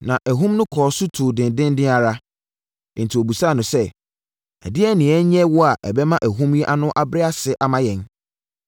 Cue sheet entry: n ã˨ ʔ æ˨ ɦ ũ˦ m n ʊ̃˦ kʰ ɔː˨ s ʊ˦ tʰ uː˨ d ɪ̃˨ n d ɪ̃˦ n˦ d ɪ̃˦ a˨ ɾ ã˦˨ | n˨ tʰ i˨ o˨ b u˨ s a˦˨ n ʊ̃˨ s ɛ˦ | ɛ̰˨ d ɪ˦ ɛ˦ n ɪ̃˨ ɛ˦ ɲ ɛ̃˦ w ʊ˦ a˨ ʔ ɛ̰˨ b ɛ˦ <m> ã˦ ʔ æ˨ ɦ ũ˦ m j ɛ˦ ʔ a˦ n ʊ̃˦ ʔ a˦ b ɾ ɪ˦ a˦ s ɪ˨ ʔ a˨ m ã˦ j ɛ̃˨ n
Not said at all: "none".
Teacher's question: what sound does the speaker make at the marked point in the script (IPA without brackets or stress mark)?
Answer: m